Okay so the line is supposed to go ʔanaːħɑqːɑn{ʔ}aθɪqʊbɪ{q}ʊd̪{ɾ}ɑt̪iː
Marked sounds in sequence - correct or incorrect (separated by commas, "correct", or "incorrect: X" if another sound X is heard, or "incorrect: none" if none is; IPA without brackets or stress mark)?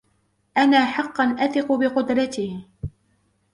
correct, correct, correct